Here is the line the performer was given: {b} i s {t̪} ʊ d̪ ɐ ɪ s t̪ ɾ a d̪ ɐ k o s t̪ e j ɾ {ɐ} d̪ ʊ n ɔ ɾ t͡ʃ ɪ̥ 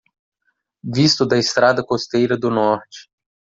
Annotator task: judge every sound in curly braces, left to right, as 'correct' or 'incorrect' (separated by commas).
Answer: incorrect, correct, correct